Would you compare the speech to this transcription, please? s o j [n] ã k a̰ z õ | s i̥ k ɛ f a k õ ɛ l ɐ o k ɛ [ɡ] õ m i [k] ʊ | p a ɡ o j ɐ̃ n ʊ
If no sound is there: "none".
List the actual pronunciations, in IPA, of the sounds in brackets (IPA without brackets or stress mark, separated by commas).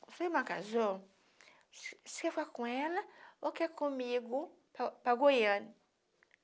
m, k, ɡ